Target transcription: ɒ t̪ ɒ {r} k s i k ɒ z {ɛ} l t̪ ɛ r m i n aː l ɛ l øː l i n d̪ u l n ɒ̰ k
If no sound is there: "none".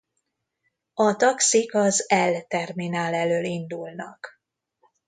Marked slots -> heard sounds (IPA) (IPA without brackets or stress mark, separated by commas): none, ɛ